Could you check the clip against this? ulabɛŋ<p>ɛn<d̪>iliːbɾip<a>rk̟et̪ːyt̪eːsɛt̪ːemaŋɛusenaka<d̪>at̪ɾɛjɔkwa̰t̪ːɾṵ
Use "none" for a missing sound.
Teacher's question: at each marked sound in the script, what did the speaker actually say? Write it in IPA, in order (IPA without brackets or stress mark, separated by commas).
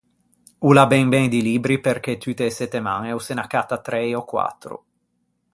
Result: b, d̪, e, t̪